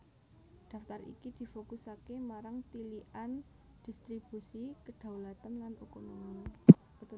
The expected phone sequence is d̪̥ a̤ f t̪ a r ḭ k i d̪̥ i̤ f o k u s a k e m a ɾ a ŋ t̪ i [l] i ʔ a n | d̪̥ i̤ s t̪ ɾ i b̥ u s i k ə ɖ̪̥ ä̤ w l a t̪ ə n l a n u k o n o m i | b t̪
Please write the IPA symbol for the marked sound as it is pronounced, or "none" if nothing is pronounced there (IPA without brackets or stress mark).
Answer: l